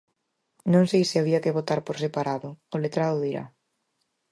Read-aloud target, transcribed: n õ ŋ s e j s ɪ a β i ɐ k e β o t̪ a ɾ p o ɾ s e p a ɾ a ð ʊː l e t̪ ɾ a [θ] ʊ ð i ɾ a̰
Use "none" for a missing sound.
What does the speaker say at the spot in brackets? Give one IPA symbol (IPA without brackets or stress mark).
ð